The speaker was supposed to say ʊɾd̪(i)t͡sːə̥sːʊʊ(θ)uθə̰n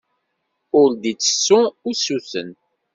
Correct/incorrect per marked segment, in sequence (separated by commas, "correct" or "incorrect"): correct, incorrect